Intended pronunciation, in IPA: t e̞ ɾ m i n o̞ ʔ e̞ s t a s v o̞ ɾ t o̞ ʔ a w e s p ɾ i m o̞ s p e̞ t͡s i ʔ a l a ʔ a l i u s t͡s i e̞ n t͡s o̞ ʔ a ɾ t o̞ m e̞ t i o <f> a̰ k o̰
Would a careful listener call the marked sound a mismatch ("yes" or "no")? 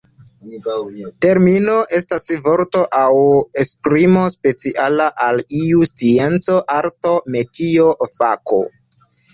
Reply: no